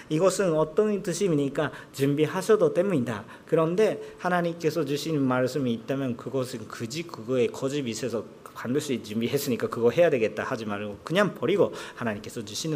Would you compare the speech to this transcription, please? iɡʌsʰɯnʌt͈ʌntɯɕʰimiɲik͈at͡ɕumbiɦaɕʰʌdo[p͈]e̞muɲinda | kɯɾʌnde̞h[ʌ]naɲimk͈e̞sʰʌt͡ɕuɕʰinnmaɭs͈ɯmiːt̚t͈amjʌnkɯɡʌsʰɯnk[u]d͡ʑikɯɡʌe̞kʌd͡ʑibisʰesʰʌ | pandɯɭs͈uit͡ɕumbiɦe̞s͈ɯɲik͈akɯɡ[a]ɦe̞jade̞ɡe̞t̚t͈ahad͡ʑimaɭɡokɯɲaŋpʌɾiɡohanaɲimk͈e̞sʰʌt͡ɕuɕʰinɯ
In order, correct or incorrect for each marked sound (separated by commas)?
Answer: incorrect, incorrect, incorrect, incorrect